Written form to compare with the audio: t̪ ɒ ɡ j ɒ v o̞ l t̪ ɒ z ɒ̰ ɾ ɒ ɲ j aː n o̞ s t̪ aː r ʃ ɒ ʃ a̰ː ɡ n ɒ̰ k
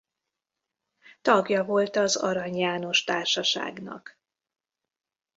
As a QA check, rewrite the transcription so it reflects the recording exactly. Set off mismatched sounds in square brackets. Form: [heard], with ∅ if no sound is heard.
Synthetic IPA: t̪ ɒ ɡ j ɒ v o̞ l t̪ ɒ z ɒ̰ ɾ ɒ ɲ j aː n o̞ [ʃ] t̪ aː r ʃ ɒ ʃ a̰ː ɡ n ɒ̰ k

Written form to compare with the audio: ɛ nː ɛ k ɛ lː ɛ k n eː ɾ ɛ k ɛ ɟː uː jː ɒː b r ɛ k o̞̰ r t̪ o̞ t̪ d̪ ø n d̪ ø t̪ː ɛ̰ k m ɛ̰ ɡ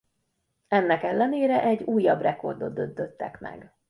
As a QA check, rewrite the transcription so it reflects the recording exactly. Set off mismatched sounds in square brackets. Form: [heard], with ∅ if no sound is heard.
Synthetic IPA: ɛ nː ɛ k ɛ lː ɛ [∅] n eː ɾ ɛ [ʔ] ɛ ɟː uː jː [ɒ] b r ɛ k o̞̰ r [d̪] o̞ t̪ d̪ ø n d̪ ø t̪ː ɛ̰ k m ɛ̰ ɡ

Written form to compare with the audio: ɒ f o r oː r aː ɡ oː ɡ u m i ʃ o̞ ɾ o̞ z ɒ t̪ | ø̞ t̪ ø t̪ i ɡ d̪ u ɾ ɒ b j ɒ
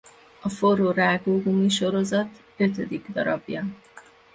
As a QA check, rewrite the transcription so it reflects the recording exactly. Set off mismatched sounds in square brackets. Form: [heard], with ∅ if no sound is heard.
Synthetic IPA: ɒ f o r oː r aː ɡ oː ɡ u m i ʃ o̞ ɾ o̞ z ɒ t̪ | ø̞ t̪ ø [d̪] i ɡ d̪ [ɒ] ɾ ɒ b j ɒ

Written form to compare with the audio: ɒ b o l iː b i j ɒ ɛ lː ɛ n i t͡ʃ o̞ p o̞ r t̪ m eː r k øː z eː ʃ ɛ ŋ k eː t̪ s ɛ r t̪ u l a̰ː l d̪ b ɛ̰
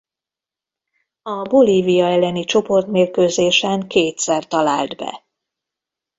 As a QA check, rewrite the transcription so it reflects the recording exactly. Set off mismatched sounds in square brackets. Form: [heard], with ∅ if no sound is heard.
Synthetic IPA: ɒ b o l iː [v] i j ɒ ɛ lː ɛ n i t͡ʃ o̞ p o̞ r t̪ m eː r k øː z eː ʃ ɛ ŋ k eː t̪ s ɛ r t̪ [ɒ] l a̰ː l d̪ b ɛ̰

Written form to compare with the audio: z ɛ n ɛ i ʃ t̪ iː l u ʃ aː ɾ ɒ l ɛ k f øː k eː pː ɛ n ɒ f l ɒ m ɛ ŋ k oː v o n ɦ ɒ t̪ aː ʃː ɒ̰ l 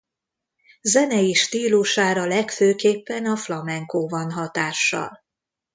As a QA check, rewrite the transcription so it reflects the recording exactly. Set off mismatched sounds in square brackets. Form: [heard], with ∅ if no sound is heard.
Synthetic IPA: z ɛ n ɛ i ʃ t̪ iː l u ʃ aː ɾ ɒ l ɛ k f øː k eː pː ɛ n ɒ f l ɒ m ɛ ŋ k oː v [ɒ] n ɦ ɒ t̪ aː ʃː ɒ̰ l

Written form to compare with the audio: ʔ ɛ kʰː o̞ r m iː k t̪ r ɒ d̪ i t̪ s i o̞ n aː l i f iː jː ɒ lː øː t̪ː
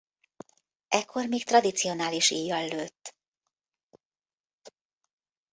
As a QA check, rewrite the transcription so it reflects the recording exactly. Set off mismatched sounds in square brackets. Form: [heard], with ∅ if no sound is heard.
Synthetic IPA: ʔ ɛ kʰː o̞ r m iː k t̪ r ɒ d̪ i t̪ s i o̞ n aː l i [ʃ] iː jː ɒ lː øː t̪ː

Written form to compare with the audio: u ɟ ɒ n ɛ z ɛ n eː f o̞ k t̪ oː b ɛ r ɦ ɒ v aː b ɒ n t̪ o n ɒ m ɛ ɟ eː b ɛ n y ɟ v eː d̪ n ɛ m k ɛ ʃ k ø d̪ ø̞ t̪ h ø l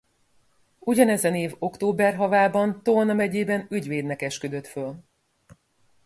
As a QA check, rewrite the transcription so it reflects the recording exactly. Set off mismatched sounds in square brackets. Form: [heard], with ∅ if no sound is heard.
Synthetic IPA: u ɟ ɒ n ɛ z ɛ n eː [v] o̞ k t̪ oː b ɛ r ɦ ɒ v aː b ɒ n t̪ o n ɒ m ɛ ɟ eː b ɛ n y ɟ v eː d̪ n ɛ [∅] k ɛ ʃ k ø d̪ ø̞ t̪ [f] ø l

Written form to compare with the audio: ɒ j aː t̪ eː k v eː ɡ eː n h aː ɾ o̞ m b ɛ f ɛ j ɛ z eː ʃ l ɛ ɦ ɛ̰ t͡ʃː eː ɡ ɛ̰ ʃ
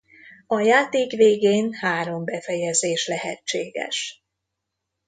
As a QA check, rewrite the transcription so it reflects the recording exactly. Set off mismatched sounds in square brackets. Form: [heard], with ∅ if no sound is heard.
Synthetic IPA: ɒ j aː t̪ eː k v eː ɡ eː n h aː ɾ o̞ m b ɛ f ɛ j ɛ z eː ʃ l ɛ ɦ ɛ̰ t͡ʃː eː ɡ ɛ̰ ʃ

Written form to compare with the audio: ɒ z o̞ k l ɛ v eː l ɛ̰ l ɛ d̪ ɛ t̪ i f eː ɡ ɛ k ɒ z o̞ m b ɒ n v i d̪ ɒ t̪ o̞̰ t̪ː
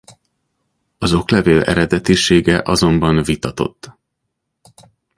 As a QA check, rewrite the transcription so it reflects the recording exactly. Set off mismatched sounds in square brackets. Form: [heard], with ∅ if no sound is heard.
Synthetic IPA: ɒ z o̞ k l ɛ v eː l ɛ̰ [ɾ] ɛ d̪ ɛ t̪ i [ʃ] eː ɡ ɛ [ʔ] ɒ z o̞ m b ɒ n v i [t̪] ɒ t̪ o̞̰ t̪ː

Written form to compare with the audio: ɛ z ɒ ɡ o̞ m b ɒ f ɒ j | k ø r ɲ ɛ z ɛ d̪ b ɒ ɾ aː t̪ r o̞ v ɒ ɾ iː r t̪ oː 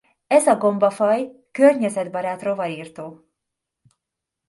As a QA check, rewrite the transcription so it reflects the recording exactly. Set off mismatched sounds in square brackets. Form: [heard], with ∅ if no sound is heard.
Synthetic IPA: ɛ z ɒ ɡ o̞ m b ɒ f ɒ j | k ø r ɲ ɛ z ɛ d̪ b ɒ ɾ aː t̪ r o̞ v ɒ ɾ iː r t̪ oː

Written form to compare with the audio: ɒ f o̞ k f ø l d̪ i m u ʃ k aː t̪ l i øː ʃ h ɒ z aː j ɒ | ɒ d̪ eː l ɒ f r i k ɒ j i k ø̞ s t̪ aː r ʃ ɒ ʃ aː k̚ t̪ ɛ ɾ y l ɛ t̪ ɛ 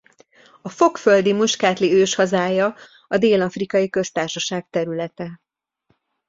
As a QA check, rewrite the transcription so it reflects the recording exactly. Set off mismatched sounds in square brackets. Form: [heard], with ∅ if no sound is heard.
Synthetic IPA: ɒ f o̞ k f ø l d̪ i m u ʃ k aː t̪ l i øː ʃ h ɒ z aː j ɒ | ɒ d̪ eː l ɒ f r i k ɒ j i k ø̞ s t̪ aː r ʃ ɒ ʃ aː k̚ t̪ ɛ ɾ y l ɛ t̪ ɛ

